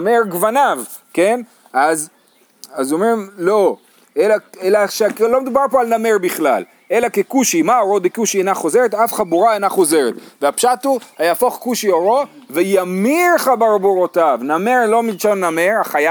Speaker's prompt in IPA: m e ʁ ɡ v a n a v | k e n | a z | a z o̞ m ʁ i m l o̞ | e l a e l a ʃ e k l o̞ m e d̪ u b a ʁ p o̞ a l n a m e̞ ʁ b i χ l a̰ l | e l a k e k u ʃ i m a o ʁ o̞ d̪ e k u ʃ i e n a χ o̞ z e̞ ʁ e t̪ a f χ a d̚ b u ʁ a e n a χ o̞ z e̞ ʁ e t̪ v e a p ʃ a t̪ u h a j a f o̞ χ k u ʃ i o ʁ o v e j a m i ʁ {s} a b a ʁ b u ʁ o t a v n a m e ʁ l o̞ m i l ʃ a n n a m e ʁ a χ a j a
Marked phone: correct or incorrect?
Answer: incorrect